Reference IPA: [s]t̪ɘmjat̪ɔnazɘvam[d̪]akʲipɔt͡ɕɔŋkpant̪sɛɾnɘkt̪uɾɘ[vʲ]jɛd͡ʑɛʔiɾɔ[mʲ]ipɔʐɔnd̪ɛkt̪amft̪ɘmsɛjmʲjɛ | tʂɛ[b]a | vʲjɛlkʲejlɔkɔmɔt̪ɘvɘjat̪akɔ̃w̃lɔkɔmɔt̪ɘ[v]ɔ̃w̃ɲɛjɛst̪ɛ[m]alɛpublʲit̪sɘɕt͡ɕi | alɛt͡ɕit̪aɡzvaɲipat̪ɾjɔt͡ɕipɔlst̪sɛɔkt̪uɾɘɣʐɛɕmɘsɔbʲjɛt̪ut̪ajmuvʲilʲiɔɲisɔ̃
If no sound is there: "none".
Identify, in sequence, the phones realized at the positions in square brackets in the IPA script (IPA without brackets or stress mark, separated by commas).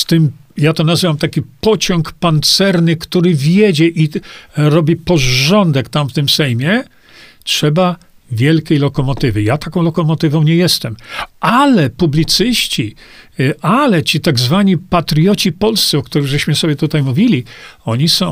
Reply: s, t̪, vʲ, bʲ, b, v, m